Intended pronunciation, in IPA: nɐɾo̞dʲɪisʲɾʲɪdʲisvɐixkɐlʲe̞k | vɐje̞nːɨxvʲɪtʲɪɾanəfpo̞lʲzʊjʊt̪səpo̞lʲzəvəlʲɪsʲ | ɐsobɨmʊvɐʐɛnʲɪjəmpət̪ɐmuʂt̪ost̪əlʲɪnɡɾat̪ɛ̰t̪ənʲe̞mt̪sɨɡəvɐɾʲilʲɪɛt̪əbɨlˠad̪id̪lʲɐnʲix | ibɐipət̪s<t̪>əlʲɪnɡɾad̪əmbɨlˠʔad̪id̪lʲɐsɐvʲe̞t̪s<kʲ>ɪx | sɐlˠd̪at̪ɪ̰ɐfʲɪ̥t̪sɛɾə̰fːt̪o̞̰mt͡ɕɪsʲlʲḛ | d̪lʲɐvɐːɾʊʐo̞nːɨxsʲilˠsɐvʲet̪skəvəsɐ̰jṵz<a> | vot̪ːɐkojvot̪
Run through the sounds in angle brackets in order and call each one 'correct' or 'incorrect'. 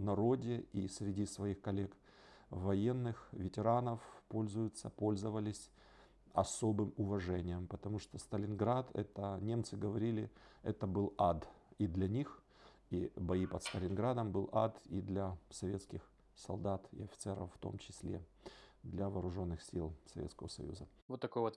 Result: correct, correct, incorrect

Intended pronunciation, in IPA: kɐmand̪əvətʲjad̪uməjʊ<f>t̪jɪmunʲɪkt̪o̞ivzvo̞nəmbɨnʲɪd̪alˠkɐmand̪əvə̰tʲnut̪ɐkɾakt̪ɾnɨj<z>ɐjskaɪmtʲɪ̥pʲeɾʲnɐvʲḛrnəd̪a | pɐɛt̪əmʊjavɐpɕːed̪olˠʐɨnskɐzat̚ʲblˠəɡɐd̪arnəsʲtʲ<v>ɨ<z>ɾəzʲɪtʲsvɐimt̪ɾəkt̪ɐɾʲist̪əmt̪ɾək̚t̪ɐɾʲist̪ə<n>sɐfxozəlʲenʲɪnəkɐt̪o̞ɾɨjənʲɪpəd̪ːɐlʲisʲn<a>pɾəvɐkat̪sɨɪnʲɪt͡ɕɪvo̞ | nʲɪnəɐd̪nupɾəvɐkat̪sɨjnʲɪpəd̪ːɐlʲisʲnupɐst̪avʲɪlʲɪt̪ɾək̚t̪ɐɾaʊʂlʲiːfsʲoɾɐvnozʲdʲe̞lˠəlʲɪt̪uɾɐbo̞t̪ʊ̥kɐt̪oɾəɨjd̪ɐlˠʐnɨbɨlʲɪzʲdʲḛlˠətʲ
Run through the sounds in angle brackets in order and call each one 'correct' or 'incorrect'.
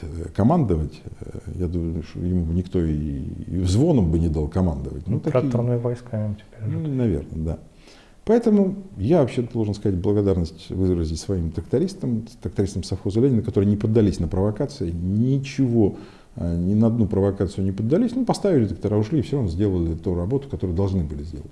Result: incorrect, incorrect, correct, correct, incorrect, incorrect

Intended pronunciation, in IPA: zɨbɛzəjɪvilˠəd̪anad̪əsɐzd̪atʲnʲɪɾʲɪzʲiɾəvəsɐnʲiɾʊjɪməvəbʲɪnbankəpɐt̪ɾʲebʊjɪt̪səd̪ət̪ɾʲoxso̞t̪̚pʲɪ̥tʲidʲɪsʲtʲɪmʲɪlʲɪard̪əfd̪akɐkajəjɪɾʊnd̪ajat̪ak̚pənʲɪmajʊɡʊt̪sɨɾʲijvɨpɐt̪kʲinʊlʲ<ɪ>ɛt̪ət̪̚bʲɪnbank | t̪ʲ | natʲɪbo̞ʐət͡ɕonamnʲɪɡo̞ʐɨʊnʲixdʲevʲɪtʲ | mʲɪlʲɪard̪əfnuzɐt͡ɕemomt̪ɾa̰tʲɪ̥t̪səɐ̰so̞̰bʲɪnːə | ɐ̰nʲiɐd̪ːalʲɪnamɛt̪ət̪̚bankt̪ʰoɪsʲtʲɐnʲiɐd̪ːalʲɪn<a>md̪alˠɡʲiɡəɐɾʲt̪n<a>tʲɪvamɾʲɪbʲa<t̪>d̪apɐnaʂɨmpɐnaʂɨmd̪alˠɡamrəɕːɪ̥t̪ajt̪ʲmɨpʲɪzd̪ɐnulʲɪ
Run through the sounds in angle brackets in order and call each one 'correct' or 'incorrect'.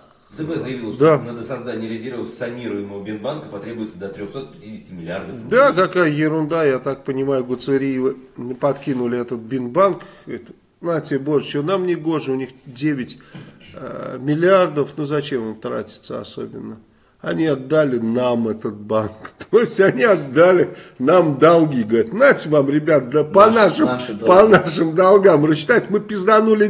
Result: correct, correct, correct, correct

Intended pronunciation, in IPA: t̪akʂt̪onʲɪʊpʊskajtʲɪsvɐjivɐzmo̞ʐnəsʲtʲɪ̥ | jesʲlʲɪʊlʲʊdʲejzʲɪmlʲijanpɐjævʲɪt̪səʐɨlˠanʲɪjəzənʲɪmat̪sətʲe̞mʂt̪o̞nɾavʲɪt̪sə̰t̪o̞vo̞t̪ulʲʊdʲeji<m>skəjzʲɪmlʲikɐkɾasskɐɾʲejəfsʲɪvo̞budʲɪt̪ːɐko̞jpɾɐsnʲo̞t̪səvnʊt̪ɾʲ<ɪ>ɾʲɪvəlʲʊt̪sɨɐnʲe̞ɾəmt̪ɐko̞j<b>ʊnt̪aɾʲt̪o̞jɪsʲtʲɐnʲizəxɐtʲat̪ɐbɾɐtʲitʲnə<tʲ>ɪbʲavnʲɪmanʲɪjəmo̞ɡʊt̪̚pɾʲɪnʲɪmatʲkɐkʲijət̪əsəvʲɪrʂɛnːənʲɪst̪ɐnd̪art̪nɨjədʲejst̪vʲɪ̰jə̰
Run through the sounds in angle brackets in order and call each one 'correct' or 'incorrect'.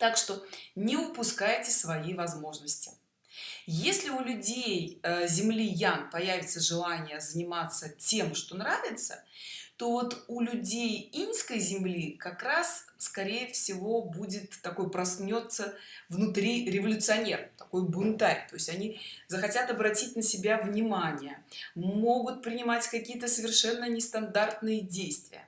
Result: incorrect, incorrect, correct, incorrect

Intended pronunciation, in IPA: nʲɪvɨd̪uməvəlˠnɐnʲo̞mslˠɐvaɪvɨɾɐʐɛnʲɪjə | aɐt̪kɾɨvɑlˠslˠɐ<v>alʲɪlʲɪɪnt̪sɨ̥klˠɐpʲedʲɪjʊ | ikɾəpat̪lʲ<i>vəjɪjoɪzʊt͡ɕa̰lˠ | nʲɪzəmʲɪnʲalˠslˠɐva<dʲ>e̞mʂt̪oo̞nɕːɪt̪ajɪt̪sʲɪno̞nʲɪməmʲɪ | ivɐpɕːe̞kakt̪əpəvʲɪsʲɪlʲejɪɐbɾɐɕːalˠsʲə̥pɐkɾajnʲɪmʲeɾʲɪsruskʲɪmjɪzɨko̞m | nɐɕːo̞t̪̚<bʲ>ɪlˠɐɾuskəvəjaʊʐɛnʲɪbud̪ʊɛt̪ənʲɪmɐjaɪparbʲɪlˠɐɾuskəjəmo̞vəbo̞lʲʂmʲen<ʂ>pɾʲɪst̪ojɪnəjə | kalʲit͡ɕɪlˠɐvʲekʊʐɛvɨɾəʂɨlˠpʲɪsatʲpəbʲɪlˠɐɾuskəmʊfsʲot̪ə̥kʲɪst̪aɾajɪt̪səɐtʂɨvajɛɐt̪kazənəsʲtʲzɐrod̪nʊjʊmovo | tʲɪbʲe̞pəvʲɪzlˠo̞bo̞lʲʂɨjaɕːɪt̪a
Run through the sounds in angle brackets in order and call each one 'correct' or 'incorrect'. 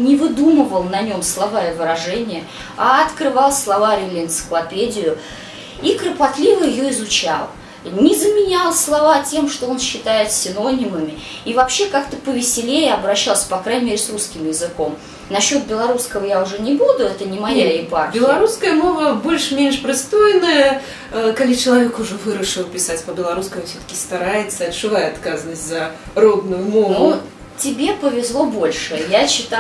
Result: correct, correct, incorrect, correct, correct

